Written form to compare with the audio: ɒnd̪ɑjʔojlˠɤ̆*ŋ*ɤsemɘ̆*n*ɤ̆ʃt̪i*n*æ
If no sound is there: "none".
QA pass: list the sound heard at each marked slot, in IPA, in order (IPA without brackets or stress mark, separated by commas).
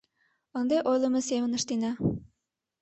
m, n, n